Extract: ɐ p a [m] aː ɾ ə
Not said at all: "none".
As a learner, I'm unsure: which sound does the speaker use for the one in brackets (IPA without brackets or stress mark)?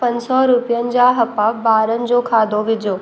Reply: b